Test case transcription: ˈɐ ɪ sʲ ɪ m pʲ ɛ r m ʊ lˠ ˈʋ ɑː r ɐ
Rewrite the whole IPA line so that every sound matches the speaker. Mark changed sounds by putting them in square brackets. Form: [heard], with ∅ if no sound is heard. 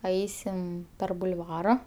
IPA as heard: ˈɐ ɪ sʲ ɪ m pʲ ɛ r [b] ʊ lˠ ˈʋ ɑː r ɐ

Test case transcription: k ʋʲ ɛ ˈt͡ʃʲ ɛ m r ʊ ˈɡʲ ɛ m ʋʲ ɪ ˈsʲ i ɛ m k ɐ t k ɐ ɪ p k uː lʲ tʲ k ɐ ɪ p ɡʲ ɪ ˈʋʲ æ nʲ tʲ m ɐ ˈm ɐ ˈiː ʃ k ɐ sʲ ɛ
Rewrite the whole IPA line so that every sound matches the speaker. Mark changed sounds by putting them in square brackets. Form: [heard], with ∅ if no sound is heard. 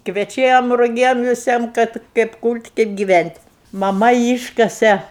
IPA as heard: k ʋʲ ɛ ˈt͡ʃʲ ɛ m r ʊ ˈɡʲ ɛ m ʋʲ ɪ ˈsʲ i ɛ m k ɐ t k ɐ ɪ p k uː lʲ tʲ k ɐ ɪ p ɡʲ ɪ ˈʋʲ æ nʲ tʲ m ɐ ˈm ɐ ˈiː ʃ k ɐ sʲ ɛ

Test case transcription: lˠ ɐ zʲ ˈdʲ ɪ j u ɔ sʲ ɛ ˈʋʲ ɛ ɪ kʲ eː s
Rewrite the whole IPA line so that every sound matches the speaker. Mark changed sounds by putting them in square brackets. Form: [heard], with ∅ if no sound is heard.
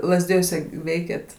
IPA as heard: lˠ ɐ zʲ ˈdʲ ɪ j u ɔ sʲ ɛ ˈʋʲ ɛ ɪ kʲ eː [t]

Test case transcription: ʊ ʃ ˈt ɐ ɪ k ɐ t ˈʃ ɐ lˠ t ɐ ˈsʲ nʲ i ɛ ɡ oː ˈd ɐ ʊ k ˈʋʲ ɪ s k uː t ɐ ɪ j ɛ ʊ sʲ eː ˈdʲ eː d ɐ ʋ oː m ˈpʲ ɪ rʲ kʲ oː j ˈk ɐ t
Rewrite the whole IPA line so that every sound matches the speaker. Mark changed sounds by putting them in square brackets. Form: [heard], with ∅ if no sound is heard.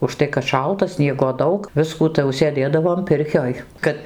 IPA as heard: ʊ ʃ ˈt ɐ ɪ k ɐ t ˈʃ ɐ lˠ t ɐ ˈsʲ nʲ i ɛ ɡ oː ˈd ɐ ʊ k ˈʋʲ ɪ s k uː t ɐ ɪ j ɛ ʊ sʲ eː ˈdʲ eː d ɐ ʋ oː m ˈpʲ ɪ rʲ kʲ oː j ˈk ɐ t

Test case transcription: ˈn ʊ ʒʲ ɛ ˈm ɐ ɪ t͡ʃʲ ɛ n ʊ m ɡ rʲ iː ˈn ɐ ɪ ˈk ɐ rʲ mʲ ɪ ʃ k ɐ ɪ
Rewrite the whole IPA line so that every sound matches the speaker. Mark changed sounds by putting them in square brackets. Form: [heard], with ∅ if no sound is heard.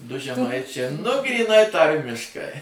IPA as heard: [ˈd] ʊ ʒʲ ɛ ˈm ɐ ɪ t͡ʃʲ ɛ n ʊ [∅] ɡ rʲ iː ˈn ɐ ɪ [ˈt] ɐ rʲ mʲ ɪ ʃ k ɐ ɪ

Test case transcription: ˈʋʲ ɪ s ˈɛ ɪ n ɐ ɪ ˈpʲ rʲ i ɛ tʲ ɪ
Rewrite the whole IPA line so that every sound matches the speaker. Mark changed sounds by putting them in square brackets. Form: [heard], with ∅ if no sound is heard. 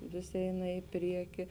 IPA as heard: ˈʋʲ ɪ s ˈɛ ɪ n ɐ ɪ ˈpʲ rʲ i ɛ [kʲ] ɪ

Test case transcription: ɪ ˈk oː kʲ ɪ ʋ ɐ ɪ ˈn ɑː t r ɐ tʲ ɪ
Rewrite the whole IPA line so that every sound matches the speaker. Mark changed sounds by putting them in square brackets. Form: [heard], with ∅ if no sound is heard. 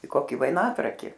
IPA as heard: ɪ ˈk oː kʲ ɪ ʋ ɐ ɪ ˈn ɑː t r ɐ [kʲ] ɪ

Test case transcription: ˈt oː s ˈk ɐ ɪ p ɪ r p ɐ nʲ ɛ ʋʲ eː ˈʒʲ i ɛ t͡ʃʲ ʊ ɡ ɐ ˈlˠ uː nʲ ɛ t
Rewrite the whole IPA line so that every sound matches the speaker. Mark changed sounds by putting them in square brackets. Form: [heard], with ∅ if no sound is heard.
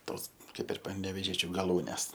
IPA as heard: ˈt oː s ˈk ɐ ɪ p ɪ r p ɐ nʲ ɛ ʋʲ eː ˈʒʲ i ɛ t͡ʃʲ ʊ ɡ ɐ ˈlˠ uː nʲ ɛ [s]

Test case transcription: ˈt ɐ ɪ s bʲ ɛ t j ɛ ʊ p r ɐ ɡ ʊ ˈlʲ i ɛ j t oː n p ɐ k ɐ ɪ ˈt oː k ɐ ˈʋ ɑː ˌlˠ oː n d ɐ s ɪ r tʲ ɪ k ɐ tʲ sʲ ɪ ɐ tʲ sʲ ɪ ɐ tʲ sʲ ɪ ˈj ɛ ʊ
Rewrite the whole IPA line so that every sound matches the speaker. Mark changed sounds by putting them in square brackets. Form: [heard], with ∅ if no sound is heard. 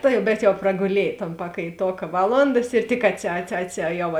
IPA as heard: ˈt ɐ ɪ [∅] bʲ ɛ t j ɛ ʊ p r ɐ ɡ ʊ ˈlʲ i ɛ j t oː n p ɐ k ɐ ɪ ˈt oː k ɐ ˈʋ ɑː ˌlˠ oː n d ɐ s ɪ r tʲ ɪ k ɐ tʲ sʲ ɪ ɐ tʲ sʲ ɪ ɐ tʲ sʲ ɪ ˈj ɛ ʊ

